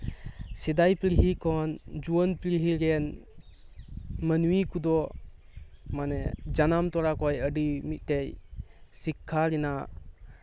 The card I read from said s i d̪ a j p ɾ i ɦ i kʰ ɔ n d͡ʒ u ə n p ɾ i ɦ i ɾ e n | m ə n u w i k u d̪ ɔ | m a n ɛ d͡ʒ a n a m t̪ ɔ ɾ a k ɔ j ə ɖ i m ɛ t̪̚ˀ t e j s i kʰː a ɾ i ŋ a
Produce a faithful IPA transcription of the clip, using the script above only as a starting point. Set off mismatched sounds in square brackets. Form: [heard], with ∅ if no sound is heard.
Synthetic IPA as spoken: s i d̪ a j p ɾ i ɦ i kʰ ɔ n d͡ʒ u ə n p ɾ i ɦ i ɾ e n | m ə n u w i k u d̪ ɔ | m a n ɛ d͡ʒ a n a m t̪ ɔ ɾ a k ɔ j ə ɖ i m [i] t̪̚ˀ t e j s i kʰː a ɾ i [n] a